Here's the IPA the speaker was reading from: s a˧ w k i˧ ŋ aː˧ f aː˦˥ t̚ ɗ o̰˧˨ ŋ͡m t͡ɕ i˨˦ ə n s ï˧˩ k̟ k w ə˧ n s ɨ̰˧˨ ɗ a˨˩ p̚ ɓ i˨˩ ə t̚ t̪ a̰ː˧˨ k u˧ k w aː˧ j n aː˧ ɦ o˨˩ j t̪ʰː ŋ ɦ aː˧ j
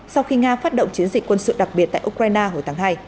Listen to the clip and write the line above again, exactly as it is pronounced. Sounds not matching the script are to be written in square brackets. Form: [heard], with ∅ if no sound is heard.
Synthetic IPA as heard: s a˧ w [x] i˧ ŋ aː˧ f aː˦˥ t̚ ɗ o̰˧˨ ŋ͡m t͡ɕ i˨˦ ə n [z] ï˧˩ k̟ k w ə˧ n s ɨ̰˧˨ ɗ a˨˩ [k̚] ɓ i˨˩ ə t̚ t̪ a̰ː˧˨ [ʔ] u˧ k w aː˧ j n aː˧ ɦ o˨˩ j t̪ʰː ŋ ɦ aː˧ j